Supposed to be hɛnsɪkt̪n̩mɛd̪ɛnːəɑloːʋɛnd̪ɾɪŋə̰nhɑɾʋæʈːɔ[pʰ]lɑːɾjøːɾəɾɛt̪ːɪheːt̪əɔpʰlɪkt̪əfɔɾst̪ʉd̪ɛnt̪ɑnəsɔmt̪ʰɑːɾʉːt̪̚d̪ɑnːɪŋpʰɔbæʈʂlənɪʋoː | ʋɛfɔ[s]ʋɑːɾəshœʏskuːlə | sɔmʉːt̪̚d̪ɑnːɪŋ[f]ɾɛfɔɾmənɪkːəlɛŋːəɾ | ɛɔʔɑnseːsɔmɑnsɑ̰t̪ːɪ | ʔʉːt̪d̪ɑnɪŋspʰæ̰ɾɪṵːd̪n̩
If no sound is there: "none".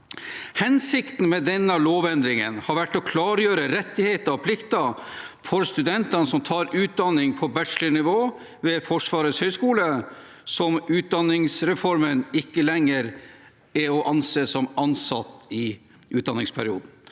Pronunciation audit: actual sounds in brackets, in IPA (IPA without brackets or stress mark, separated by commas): kʰ, ʂ, s